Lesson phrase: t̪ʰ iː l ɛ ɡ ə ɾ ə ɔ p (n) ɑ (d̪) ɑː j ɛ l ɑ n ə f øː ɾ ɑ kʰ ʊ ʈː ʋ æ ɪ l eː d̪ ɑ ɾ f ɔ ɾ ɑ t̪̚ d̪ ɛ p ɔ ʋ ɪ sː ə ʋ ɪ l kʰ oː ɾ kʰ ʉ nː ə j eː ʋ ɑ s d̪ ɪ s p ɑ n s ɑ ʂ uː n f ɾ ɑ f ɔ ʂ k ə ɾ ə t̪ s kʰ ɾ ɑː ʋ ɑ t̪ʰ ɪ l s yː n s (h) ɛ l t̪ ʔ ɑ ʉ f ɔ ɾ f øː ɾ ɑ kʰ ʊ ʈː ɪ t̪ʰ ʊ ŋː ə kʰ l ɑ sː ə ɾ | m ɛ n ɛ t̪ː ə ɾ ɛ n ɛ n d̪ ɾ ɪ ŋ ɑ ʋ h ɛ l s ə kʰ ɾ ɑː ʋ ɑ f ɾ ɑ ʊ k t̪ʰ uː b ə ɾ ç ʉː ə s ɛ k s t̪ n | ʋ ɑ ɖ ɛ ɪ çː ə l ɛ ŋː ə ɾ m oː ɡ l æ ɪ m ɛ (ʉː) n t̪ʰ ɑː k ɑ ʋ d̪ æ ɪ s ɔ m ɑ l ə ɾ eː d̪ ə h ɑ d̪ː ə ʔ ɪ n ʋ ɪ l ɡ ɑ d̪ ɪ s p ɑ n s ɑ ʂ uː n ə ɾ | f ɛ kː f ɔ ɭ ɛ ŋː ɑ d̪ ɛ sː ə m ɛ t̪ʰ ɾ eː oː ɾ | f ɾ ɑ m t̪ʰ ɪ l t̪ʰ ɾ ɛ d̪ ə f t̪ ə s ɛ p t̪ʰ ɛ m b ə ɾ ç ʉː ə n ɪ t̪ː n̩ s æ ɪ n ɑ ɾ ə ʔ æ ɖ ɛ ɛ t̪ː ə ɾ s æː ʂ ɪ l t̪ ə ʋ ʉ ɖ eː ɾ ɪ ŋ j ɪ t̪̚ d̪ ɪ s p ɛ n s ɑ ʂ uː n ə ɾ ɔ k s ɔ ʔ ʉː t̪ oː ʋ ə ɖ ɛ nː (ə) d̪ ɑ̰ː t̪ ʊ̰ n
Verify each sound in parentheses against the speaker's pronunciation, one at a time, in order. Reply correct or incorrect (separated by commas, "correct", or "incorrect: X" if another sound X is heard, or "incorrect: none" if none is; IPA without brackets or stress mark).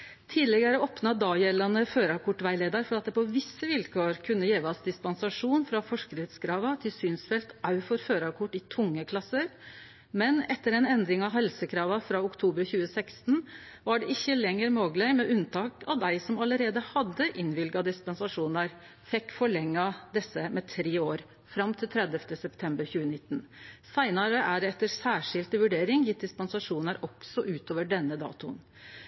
correct, correct, incorrect: f, incorrect: ʉ, correct